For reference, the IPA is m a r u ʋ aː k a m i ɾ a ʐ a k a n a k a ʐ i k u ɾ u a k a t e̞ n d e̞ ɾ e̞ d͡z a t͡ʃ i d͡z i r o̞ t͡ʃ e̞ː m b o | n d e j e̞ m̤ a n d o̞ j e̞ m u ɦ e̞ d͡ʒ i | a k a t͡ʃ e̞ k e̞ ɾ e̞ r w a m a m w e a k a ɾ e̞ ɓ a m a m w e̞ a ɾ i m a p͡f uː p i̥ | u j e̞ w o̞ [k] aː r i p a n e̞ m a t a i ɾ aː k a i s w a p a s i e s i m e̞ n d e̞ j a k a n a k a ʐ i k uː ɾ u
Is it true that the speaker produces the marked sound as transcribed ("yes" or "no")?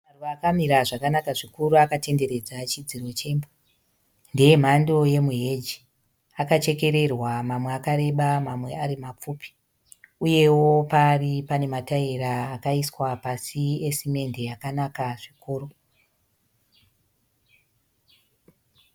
no